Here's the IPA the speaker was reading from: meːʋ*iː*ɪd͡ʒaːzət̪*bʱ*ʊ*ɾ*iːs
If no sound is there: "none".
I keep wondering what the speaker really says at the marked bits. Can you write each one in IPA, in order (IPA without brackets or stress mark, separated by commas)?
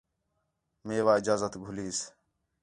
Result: aː, ɡʱ, l